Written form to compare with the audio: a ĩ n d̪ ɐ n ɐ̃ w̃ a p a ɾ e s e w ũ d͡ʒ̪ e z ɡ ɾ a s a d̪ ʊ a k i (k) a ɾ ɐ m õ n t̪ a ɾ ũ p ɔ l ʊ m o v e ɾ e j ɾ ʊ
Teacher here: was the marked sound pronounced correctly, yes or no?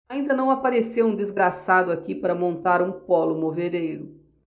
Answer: no